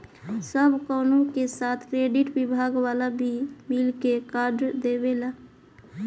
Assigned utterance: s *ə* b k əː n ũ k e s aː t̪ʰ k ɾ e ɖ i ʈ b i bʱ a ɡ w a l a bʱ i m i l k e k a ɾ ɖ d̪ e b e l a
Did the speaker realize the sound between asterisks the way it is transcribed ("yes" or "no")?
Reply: yes